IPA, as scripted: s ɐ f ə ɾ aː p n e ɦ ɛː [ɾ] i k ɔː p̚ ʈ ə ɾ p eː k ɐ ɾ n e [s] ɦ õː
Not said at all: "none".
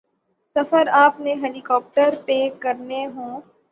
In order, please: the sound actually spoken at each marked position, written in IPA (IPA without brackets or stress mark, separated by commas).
l, none